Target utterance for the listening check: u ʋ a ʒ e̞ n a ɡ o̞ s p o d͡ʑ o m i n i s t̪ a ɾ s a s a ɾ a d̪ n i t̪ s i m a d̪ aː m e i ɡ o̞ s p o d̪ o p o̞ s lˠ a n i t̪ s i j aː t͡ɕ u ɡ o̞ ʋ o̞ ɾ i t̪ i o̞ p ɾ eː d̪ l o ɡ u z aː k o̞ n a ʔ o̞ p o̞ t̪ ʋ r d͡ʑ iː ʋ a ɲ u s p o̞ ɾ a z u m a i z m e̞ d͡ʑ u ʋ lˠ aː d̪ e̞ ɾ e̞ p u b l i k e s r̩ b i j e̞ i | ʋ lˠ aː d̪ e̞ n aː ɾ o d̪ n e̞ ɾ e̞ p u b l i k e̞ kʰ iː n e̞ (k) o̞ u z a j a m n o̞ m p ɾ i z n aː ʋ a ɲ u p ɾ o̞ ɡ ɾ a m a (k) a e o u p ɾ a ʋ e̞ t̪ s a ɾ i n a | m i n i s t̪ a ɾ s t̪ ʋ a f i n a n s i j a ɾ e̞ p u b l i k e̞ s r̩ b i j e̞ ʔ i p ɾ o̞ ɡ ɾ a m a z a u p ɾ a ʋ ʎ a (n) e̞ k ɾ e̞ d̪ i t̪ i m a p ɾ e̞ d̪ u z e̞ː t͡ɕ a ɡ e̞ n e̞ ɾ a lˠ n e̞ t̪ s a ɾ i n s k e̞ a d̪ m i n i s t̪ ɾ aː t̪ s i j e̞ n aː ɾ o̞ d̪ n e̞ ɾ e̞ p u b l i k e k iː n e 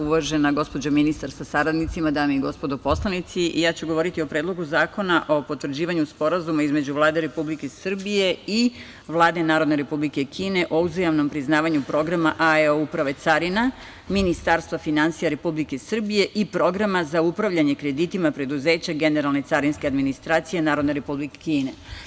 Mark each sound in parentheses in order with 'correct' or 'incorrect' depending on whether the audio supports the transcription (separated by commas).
incorrect, incorrect, incorrect